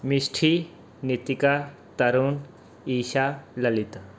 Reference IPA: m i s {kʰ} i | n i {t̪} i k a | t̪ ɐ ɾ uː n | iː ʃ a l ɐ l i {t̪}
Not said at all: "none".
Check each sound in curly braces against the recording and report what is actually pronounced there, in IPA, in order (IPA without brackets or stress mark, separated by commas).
ʈʰ, t̪, t̪